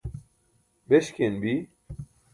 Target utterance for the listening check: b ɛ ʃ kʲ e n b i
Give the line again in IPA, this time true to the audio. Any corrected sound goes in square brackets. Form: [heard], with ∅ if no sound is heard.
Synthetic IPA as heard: b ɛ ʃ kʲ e n b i